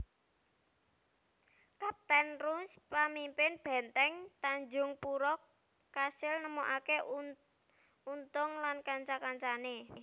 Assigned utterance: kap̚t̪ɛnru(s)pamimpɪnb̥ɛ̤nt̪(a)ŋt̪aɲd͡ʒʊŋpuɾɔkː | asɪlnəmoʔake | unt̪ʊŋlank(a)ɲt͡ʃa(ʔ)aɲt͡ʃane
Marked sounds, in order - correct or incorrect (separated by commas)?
correct, incorrect, correct, incorrect